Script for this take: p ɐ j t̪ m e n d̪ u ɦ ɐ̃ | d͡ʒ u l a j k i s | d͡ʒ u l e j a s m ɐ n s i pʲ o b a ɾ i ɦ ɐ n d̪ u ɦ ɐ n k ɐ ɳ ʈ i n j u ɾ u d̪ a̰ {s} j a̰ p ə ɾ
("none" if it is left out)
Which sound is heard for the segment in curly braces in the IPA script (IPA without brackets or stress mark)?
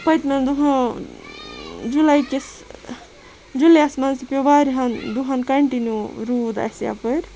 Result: s